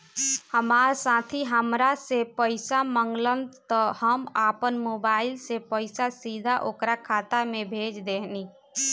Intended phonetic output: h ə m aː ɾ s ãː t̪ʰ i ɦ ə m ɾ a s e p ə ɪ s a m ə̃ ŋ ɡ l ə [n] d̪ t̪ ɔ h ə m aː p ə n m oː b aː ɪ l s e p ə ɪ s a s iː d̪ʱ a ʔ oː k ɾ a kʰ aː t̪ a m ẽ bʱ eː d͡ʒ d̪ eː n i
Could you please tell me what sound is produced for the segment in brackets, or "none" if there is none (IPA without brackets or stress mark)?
n